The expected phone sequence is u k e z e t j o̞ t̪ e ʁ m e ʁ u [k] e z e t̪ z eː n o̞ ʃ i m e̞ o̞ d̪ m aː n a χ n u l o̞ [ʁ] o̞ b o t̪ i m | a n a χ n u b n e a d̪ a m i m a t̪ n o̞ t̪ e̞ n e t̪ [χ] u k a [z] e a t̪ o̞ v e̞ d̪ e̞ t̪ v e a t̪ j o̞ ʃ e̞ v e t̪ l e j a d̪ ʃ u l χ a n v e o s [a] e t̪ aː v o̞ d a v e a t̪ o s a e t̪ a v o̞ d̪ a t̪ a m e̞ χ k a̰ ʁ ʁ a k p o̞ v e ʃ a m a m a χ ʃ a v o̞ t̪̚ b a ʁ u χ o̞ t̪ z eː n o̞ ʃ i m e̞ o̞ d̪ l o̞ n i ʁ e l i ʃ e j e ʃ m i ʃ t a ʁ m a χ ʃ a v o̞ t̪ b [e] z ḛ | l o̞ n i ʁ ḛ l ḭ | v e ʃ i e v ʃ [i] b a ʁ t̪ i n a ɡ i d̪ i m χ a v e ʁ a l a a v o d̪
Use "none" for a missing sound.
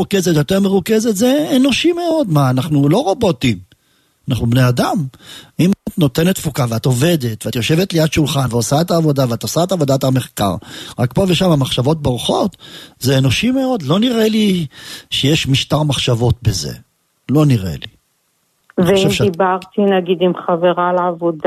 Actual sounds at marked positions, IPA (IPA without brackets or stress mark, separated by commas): k, ʁ, f, v, a, e, i